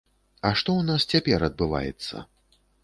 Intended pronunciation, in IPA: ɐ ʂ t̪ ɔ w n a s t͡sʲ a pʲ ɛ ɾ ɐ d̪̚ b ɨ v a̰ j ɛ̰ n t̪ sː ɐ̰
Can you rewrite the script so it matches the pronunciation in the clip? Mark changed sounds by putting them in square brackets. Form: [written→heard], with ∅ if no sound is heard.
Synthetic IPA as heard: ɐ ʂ t̪ ɔ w n a s t͡sʲ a pʲ ɛ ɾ ɐ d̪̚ b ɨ v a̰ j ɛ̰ [n→∅] t̪ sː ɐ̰